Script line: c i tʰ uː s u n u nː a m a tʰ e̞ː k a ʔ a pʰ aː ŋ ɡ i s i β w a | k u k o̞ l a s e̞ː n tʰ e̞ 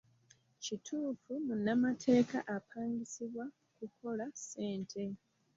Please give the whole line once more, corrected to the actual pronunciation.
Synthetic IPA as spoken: c i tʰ uː f u m u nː a m a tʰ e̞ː k a ʔ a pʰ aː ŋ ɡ i s i β w a | k u k o̞ l a s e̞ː n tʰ e̞